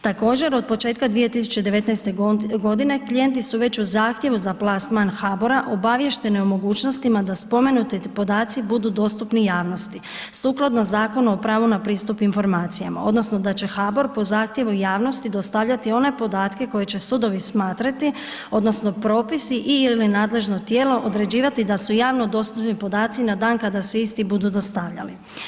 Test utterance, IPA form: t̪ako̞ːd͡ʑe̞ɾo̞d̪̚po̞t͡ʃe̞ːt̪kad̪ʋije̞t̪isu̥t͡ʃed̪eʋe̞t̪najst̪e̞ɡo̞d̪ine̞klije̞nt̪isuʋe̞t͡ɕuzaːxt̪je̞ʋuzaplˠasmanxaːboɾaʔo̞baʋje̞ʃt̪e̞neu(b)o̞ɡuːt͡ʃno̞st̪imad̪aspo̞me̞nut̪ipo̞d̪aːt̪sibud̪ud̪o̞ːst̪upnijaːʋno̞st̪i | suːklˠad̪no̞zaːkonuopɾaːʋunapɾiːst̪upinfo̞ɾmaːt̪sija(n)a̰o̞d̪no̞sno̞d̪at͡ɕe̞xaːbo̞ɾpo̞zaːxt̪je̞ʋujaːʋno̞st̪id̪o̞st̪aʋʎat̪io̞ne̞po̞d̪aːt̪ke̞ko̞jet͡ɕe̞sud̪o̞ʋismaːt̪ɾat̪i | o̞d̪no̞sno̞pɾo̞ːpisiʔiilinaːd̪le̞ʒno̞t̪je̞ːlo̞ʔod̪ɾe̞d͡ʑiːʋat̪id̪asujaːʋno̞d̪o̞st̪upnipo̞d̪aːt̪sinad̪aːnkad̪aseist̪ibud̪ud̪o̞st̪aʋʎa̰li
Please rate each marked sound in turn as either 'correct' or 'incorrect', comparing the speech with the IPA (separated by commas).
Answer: incorrect, incorrect